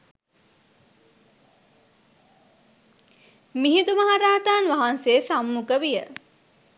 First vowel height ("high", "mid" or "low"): high